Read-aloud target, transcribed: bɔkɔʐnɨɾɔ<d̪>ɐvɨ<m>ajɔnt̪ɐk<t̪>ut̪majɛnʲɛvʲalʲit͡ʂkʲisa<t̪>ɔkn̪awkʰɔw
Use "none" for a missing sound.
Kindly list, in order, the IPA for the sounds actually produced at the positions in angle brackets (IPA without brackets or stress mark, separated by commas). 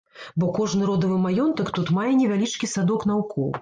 d̪, m, t̪, d̪